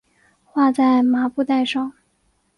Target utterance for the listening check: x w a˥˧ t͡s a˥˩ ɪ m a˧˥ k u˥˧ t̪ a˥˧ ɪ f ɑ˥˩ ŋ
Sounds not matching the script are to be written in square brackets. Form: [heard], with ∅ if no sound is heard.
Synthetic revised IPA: x w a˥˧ t͡s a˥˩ ɪ m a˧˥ [p] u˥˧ t̪ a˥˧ ɪ [ʂ] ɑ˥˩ ŋ